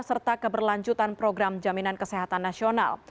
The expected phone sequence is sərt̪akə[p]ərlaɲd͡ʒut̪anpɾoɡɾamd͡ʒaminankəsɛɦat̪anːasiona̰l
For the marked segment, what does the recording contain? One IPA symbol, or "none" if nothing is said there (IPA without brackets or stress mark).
b